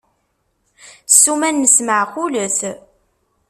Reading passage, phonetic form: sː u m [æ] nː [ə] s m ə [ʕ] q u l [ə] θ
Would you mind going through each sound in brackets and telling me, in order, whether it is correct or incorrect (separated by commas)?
correct, correct, correct, correct